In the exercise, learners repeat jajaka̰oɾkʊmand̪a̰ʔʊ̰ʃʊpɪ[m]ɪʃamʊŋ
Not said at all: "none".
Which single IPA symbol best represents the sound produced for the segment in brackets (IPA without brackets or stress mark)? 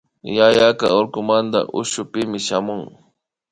m